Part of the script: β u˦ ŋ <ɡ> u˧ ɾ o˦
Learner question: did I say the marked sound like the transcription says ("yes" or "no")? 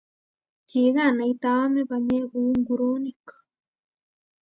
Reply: yes